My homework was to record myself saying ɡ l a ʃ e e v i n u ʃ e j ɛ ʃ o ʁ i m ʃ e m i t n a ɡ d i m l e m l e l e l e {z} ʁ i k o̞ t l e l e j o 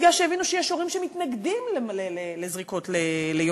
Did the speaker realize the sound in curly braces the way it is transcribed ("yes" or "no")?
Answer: yes